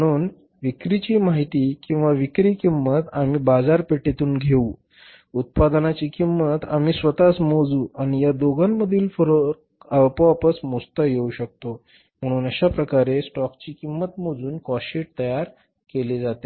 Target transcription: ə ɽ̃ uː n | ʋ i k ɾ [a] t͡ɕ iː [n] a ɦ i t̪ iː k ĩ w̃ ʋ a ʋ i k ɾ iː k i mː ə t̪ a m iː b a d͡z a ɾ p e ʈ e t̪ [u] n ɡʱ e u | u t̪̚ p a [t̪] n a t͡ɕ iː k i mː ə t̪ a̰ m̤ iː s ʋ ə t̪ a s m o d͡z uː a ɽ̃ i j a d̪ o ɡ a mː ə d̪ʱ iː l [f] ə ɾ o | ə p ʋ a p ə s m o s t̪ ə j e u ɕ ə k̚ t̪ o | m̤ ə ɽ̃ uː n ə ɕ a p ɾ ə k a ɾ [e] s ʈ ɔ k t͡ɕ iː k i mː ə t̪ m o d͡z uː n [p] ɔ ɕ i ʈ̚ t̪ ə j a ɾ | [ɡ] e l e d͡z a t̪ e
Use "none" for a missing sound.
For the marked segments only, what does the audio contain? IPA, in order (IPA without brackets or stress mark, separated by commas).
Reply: i, m, uː, d̪, f, e, k, k